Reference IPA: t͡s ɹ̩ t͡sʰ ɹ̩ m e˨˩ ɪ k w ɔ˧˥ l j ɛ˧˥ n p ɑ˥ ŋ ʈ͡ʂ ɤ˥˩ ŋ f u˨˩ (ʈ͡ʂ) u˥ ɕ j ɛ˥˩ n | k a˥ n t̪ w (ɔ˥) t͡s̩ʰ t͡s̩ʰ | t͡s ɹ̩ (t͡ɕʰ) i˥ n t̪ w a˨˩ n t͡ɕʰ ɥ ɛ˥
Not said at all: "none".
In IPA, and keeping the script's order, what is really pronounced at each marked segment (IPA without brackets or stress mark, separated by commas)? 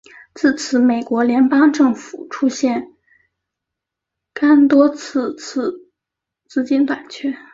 ʈ͡ʂʰ, ɔ˥, t͡ɕ